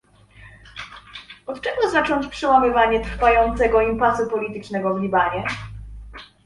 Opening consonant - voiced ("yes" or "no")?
no